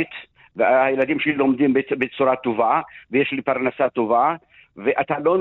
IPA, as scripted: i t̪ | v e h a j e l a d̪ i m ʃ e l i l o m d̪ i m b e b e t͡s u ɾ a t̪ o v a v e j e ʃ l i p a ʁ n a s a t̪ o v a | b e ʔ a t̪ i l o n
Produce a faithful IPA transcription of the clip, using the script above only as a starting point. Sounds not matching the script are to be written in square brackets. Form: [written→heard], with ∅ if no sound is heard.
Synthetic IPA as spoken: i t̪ | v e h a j e l a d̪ i m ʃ e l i l o m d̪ i m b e b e t͡s u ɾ a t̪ o v a v e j e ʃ l i p a ʁ n a s a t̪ o v a | [b→v] e ʔ a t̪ [i→a] l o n